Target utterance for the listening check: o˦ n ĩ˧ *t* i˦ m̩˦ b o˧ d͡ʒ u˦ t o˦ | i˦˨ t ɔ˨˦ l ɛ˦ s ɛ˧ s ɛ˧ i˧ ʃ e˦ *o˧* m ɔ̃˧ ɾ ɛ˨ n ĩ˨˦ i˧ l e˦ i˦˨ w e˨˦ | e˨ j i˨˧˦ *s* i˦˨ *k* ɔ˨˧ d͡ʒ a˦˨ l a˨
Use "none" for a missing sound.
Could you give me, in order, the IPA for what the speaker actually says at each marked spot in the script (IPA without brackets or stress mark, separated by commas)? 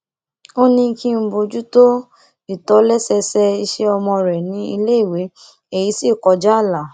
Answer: k, ɔ˧, s, k